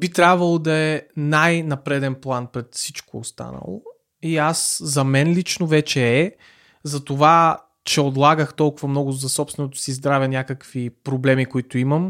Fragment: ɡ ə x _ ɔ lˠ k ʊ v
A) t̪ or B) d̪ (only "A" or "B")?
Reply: A